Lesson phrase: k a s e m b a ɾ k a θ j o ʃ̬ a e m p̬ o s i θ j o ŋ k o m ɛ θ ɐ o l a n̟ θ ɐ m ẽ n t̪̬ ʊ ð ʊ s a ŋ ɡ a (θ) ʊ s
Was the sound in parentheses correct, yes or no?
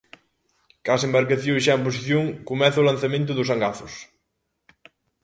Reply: yes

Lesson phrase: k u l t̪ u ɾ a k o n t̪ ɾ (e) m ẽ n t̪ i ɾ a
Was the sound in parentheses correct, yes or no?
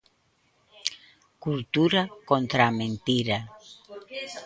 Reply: no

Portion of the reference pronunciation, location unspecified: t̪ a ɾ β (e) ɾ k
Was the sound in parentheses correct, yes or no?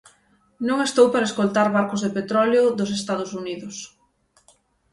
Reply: no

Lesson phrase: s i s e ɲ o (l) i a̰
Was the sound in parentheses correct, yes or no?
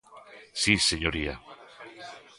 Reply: no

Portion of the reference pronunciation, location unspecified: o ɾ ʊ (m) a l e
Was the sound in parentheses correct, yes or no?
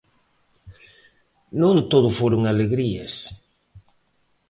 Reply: no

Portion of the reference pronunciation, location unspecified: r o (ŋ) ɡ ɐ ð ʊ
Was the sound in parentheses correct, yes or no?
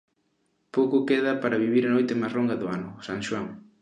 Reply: yes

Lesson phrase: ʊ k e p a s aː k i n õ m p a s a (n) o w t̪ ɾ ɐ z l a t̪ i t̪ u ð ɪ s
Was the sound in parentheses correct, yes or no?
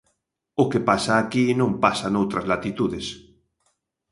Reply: yes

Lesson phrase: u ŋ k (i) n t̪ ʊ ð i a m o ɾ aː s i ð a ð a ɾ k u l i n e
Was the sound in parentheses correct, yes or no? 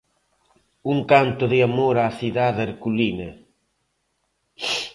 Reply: no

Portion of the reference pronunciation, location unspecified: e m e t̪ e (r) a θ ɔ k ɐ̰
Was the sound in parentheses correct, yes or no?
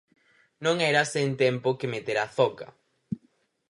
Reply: no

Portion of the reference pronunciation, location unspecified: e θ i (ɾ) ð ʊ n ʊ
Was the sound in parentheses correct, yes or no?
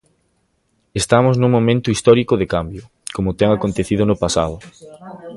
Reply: no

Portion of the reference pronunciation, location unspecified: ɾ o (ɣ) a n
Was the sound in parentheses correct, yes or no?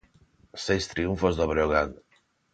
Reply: yes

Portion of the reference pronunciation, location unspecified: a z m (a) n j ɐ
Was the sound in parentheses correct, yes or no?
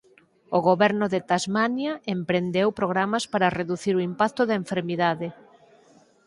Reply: yes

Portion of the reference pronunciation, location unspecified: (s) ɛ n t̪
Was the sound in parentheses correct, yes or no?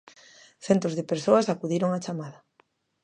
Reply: no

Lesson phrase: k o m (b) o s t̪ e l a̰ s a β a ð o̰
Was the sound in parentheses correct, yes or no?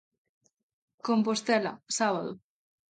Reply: no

